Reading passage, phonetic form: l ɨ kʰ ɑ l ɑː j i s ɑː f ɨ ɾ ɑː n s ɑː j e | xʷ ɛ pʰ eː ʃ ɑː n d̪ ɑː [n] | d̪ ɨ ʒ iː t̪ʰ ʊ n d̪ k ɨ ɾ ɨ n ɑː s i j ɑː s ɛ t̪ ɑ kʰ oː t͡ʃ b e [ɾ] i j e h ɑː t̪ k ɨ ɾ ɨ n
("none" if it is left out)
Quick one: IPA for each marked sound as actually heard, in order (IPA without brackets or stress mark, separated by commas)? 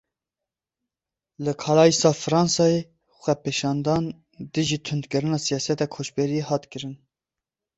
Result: n, ɾ